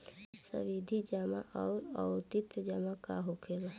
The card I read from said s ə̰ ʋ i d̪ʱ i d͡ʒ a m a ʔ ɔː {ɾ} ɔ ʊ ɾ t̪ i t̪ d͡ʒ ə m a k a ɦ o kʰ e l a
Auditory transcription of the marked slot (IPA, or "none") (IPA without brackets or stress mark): ɾ